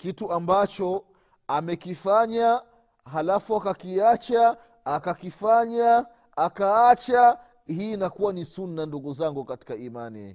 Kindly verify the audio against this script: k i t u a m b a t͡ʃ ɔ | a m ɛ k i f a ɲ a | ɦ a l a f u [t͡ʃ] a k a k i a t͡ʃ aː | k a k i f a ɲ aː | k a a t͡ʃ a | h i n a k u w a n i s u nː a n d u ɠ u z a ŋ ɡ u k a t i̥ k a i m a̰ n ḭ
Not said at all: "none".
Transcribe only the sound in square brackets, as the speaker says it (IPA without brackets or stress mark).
none